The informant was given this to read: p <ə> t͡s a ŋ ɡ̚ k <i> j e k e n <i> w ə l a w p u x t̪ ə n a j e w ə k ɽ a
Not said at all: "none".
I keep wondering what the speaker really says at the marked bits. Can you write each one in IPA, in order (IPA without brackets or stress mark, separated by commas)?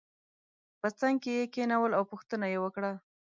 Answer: ə, e, a